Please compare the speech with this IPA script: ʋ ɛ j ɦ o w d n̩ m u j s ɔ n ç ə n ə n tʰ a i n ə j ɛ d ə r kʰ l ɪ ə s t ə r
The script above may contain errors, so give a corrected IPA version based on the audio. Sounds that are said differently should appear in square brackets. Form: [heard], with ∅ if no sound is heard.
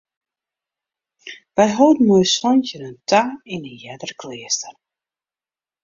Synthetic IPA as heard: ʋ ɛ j ɦ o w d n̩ m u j s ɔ n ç ə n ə n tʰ a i n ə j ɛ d ə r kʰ l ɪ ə s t ə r

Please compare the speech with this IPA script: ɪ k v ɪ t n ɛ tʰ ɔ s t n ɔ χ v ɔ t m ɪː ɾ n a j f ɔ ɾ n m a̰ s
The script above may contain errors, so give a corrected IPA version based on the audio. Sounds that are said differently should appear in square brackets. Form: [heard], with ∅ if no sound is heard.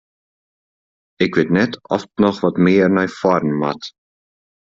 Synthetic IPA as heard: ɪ k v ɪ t n ɛ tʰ ɔ [f] t n ɔ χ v ɔ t m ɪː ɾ n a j f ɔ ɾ n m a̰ [t]

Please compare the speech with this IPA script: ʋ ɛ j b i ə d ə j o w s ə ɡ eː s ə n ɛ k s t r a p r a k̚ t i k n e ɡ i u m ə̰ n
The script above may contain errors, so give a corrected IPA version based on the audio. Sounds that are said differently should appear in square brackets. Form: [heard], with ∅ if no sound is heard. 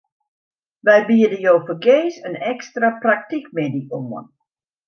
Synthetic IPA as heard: ʋ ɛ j b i ə d ə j o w [f] ə ɡ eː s ə n ɛ k s t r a p r a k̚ t i k [m] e [d] i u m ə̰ n

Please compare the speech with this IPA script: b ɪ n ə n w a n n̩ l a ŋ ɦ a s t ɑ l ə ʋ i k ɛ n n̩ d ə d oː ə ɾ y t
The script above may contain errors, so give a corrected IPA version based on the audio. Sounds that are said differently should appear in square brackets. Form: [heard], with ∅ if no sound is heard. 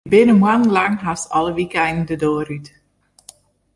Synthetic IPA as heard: b ɪ n ə [m] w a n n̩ l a ŋ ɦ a s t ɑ l ə ʋ i k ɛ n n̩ d ə d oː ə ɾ y t

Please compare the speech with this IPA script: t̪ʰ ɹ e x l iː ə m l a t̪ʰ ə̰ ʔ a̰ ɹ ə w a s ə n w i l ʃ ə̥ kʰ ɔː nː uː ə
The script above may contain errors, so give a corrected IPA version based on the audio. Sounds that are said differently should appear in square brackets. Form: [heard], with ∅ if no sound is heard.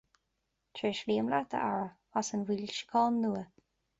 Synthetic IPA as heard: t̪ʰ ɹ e [ʃ] l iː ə m l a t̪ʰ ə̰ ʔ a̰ ɹ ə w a s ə n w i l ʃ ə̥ kʰ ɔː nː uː ə

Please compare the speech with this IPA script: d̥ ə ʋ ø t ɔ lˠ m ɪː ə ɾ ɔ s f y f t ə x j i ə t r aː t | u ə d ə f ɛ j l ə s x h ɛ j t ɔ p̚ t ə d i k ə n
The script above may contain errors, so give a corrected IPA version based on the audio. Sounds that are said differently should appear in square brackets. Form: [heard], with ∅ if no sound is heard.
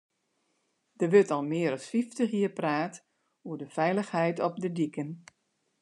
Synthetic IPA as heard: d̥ ə ʋ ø t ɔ lˠ m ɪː ə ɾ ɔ s f [i] f t ə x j i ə [p] r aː t | u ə d ə f ɛ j l ə [∅] x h ɛ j t ɔ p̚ [d] ə d i k ə n

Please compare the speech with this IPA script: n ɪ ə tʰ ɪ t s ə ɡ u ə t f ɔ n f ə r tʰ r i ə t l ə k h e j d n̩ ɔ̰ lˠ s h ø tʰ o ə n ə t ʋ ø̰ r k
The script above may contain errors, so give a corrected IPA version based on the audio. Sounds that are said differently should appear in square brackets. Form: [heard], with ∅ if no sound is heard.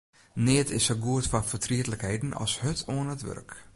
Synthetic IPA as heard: n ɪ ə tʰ ɪ [∅] s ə ɡ u ə t f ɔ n f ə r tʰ r i ə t l ə k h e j d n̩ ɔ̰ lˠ s h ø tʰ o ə n ə t ʋ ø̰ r k

